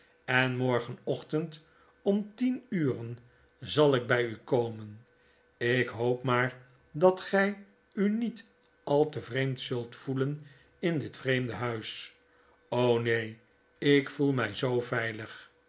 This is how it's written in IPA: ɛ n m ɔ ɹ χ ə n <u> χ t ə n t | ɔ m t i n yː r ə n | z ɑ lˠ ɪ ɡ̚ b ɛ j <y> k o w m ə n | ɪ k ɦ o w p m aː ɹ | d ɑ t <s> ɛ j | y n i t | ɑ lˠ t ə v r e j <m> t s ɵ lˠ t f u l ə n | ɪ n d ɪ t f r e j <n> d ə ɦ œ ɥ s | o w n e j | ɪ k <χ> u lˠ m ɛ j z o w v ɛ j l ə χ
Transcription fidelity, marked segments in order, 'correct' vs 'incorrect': incorrect, correct, incorrect, correct, incorrect, incorrect

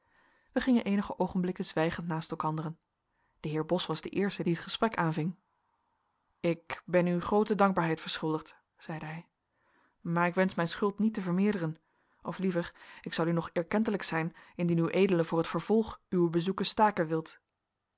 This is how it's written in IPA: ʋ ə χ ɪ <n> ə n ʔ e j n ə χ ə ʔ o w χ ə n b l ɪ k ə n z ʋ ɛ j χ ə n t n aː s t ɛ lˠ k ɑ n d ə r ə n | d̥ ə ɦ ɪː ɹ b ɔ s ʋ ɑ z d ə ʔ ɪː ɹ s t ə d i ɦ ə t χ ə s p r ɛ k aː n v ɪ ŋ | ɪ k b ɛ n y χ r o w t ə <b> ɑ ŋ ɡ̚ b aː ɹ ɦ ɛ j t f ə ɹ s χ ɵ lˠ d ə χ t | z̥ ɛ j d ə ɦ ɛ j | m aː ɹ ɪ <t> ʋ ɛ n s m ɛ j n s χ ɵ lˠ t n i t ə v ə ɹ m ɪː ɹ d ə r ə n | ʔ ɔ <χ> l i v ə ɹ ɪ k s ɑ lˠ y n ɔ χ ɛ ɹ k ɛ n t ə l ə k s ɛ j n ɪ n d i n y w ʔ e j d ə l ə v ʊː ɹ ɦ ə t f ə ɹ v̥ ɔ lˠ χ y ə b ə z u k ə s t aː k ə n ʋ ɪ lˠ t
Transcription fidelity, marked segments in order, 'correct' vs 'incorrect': incorrect, incorrect, incorrect, incorrect

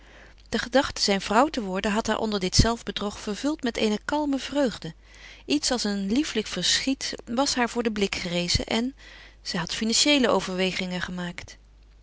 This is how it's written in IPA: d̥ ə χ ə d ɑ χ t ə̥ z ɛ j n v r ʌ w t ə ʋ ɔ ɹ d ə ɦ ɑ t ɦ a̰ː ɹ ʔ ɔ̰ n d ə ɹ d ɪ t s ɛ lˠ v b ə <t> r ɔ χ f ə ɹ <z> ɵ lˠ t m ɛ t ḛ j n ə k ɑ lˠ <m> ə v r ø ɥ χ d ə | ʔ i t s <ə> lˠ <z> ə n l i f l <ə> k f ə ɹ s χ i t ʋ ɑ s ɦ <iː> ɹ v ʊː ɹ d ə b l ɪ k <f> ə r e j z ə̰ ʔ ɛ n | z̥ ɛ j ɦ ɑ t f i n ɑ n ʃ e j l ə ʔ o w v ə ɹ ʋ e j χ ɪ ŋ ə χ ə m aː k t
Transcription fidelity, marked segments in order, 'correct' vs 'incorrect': incorrect, incorrect, correct, incorrect, incorrect, correct, incorrect, incorrect

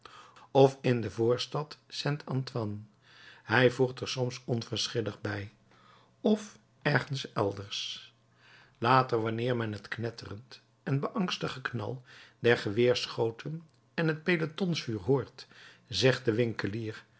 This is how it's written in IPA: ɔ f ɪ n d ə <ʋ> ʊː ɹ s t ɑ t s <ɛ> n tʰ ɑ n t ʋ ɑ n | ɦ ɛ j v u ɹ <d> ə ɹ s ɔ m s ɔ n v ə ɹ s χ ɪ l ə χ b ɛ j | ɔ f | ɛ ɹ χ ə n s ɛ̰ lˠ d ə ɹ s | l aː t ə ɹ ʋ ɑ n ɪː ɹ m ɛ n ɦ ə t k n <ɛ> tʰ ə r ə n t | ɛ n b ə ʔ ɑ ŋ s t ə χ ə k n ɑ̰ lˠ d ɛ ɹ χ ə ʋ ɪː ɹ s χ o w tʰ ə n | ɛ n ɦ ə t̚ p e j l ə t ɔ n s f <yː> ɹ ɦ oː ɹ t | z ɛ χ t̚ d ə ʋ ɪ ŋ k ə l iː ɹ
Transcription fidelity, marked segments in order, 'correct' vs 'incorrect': incorrect, correct, incorrect, correct, correct

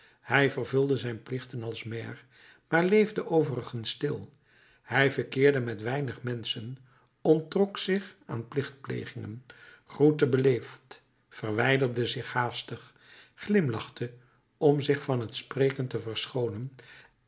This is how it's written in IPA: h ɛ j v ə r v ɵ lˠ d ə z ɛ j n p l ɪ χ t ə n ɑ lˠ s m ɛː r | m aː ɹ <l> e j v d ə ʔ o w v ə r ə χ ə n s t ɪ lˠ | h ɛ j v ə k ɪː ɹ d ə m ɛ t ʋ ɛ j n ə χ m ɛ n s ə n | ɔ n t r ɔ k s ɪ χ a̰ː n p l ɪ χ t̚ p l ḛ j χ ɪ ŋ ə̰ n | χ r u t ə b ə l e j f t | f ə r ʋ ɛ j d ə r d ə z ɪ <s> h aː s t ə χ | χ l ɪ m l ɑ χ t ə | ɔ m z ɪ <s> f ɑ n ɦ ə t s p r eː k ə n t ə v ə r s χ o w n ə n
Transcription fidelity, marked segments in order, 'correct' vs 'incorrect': correct, incorrect, incorrect

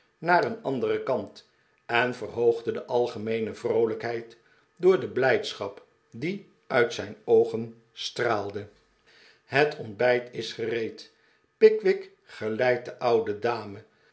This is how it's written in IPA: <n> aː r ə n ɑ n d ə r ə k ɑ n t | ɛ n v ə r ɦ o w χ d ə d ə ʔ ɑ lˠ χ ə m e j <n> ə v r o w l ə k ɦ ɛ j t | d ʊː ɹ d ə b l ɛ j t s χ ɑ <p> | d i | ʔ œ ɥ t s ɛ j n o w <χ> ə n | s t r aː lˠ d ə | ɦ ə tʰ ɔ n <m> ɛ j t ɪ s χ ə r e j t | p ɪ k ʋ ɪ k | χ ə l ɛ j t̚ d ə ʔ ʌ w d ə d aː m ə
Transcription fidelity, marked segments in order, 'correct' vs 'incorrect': correct, correct, correct, correct, incorrect

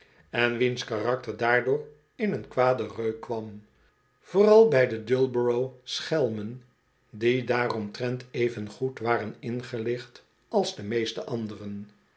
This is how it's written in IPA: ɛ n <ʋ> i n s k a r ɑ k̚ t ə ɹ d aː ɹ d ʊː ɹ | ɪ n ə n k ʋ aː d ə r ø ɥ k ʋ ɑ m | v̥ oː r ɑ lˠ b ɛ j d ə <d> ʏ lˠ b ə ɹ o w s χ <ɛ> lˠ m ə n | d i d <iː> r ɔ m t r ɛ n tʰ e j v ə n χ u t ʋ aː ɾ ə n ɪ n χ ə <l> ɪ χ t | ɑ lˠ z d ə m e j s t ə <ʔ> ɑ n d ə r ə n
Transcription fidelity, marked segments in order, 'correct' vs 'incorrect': correct, correct, correct, incorrect, correct, correct

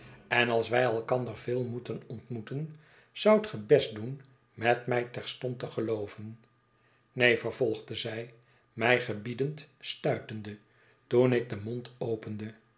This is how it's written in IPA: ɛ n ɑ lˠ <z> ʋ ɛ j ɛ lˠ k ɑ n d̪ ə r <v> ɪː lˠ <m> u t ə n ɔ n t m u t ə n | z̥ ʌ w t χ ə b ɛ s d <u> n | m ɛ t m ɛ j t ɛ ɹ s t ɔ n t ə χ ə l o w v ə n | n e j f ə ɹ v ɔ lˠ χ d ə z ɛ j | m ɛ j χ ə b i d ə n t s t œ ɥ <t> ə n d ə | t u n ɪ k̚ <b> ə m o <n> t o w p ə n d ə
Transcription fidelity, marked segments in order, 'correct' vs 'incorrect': incorrect, correct, correct, correct, correct, incorrect, correct

